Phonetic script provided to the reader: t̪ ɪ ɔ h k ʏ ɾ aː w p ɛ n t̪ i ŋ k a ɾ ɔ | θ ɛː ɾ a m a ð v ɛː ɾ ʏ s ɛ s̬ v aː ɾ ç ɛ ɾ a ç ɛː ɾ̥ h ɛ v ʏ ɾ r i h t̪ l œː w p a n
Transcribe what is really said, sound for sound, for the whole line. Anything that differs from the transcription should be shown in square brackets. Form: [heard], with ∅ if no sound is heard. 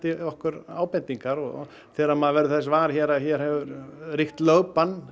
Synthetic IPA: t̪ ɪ ɔ h k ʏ ɾ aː w p ɛ n t̪ i ŋ k a ɾ ɔ | θ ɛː ɾ a m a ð v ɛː ɾ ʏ [θ] ɛ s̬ v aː ɾ ç ɛ ɾ a ç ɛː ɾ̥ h ɛ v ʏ ɾ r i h t̪ l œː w p a n